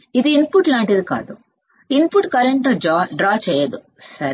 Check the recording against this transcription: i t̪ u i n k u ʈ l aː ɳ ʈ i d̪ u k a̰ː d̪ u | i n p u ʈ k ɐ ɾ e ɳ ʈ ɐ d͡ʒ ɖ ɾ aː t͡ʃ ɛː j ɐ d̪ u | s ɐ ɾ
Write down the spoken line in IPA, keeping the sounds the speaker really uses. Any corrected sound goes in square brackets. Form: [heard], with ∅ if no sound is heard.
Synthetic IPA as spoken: i [d̪] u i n [p] u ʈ l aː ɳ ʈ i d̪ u k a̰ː d̪ u | i n p u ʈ k ɐ ɾ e ɳ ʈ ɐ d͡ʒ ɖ ɾ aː t͡ʃ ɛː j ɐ d̪ u | s ɐ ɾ